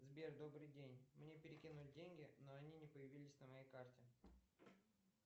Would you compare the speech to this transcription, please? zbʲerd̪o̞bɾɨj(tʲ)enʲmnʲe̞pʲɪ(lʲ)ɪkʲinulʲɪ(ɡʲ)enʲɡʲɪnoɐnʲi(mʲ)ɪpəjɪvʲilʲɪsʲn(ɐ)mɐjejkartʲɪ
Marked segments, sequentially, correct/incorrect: incorrect: dʲ, incorrect: ɾʲ, incorrect: dʲ, incorrect: nʲ, incorrect: ə

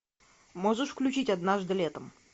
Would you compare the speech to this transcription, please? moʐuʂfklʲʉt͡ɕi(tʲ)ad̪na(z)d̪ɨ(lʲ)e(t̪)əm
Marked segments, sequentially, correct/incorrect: correct, incorrect: ʐ, correct, correct

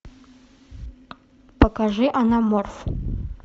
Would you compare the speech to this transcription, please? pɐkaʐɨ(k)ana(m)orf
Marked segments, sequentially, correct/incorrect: incorrect: ʔ, correct

